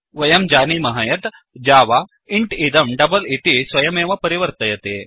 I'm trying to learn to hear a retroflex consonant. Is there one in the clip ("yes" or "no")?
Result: yes